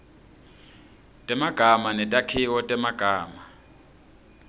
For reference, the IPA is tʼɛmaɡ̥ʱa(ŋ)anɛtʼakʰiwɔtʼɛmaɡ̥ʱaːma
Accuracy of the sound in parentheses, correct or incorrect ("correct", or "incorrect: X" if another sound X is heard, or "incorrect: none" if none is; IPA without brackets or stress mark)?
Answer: incorrect: m